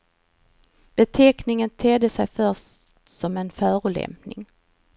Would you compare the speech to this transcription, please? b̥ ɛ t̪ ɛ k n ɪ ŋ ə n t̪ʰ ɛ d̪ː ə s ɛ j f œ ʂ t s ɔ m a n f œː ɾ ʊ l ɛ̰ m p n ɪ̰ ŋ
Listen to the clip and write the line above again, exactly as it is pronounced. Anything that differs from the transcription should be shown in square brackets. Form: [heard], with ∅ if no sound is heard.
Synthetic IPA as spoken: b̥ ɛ [t̪ʰ] ɛ k n ɪ ŋ ə n t̪ʰ ɛ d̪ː ə s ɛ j f œ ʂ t s ɔ m [ɛ] n f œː ɾ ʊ l ɛ̰ m p n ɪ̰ ŋ